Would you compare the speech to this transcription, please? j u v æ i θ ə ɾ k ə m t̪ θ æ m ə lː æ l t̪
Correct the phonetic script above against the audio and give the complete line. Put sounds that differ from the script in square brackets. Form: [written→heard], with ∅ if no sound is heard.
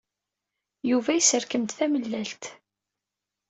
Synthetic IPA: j u v æ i [θ→s] ə ɾ k ə m t̪ θ æ m ə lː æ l t̪